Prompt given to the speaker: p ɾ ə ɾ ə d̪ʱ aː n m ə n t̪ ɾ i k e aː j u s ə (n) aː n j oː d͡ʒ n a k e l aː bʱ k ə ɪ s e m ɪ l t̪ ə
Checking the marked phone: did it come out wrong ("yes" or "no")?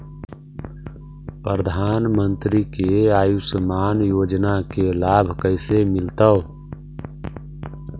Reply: yes